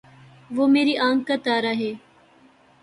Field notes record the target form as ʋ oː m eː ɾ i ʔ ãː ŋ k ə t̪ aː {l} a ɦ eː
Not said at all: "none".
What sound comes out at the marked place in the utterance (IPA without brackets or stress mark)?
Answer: ɾ